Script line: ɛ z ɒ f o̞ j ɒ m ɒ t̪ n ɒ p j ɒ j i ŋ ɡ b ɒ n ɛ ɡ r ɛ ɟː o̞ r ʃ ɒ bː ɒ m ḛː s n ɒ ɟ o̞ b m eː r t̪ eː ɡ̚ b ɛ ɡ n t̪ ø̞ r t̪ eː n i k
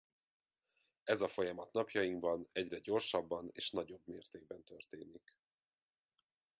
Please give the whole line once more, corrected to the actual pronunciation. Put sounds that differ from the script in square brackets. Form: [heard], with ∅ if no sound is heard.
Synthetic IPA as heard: ɛ z ɒ f o̞ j ɒ m ɒ t̪ n ɒ p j ɒ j i ŋ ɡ b ɒ n ɛ [ɟ] r ɛ [ɟ] o̞ r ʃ ɒ bː ɒ [n] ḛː [ʃ] n ɒ ɟ o̞ b m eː r t̪ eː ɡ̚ b ɛ [∅] n t̪ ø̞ r t̪ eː n i k